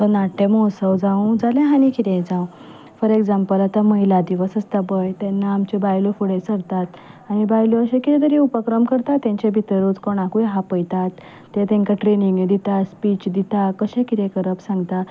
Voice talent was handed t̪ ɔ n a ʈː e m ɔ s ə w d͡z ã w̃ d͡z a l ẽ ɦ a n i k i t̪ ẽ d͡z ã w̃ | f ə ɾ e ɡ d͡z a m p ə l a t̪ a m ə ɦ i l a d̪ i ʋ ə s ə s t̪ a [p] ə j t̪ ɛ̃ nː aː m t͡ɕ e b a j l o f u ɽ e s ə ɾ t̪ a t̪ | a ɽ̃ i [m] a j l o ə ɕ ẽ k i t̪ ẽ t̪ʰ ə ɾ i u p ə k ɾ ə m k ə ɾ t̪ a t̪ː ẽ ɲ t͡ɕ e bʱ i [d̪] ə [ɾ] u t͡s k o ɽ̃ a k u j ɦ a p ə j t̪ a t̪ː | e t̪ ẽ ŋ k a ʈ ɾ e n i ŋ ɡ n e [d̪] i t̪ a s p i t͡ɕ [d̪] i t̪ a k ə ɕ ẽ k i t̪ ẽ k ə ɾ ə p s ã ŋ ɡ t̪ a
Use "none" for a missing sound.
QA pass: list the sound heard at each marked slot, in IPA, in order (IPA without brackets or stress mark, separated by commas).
b, b, t̪, ɾ, d̪, d̪